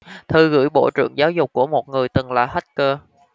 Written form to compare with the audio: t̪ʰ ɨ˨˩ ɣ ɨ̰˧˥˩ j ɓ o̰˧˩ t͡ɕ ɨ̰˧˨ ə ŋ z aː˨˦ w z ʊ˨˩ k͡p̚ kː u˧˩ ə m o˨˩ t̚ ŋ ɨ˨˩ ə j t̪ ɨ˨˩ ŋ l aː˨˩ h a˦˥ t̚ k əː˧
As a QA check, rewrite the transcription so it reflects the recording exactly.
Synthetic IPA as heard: t̪ʰ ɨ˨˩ ɣ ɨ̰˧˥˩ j ɓ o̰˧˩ t͡ɕ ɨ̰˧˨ ə ŋ z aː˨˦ w z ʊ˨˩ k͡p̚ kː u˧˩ ə m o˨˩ t̚ ŋ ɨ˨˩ ə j t̪ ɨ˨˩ ŋ l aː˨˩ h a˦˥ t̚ k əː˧